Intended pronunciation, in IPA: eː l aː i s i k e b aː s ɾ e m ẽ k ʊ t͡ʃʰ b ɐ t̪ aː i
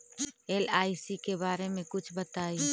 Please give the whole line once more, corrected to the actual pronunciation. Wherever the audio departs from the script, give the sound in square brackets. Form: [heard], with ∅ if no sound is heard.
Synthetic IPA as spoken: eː l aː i s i k e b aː [∅] ɾ e m ẽ k ʊ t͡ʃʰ b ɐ t̪ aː i